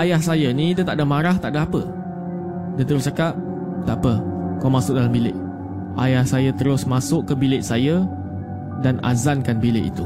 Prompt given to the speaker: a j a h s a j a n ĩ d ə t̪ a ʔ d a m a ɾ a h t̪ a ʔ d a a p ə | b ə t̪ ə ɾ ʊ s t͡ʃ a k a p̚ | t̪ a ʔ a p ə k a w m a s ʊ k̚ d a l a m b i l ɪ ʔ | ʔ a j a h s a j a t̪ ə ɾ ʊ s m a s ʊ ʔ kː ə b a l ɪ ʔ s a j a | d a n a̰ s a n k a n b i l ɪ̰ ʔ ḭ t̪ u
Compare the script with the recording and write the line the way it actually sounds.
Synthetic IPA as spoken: a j a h s a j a n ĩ d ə t̪ a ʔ d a m a ɾ a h t̪ a ʔ d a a p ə | d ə t̪ ə ɾ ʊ s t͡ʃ a k a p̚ | t̪ a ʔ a p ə k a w m a s ʊ k̚ d a l a m b i l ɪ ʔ | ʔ a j a h s a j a t̪ ə ɾ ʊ s m a s ʊ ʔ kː ə b i l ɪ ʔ s a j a | d a n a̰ z a n k a n b i l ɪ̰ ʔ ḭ t̪ u